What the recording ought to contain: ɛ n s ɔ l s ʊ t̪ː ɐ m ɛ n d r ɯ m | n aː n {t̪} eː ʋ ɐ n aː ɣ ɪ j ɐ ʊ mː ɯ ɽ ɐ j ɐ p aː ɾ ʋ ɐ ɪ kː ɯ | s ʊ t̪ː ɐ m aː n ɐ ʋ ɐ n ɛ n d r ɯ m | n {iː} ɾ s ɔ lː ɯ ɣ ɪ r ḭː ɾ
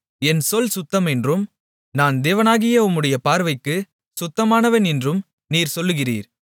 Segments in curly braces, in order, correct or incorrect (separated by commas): incorrect, correct